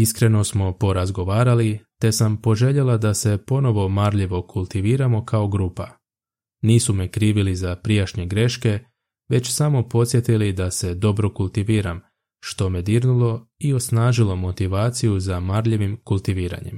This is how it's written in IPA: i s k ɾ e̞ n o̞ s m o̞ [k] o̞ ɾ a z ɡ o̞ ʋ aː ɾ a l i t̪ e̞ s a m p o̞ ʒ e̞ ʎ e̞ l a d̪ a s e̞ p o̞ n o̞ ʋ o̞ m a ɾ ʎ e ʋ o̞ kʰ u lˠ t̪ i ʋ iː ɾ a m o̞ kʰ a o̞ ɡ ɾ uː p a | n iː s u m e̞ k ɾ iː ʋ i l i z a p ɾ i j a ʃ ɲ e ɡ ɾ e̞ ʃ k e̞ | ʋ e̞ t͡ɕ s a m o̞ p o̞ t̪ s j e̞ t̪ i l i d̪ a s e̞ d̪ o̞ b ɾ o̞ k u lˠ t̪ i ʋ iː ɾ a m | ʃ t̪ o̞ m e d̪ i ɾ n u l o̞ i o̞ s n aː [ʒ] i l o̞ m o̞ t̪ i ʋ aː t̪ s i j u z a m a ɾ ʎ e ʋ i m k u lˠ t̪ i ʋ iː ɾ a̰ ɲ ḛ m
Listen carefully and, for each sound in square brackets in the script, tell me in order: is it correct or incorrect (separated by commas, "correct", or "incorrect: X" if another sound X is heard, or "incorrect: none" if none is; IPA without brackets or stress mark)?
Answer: incorrect: p, correct